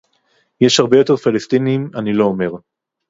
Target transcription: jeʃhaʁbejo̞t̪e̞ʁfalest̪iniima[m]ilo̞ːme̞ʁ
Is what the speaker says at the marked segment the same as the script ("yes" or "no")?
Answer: no